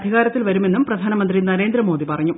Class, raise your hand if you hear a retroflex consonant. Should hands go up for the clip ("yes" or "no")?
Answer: no